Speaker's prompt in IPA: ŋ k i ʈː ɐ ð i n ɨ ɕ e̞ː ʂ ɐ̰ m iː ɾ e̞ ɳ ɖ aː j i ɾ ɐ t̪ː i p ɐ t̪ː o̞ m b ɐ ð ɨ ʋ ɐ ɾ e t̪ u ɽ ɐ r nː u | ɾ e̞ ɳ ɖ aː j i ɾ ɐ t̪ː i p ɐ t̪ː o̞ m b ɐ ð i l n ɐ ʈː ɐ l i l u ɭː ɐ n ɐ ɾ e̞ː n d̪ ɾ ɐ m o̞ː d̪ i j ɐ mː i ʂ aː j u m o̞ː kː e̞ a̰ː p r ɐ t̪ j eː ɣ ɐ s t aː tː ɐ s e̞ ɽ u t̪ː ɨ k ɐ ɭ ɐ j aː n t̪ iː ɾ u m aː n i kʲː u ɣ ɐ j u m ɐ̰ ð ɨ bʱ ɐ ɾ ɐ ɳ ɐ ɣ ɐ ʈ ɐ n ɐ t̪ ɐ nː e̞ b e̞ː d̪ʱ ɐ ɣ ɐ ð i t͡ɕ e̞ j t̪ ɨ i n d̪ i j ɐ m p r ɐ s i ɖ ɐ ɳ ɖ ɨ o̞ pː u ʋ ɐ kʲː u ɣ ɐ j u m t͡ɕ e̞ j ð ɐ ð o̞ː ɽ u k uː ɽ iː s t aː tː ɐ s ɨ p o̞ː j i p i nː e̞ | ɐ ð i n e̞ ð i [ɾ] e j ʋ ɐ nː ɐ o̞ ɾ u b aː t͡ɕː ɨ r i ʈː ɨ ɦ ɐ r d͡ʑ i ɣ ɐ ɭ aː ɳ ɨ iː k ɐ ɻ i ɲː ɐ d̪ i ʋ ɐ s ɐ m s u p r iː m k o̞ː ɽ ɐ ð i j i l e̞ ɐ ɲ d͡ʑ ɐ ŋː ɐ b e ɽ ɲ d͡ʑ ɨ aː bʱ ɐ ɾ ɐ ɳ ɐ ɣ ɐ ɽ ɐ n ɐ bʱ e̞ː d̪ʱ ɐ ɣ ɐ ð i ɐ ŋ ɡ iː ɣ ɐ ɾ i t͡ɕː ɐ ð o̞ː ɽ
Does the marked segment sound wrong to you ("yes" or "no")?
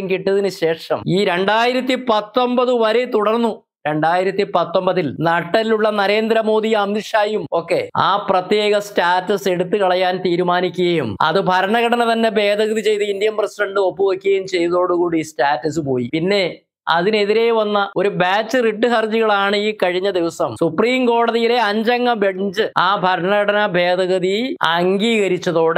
no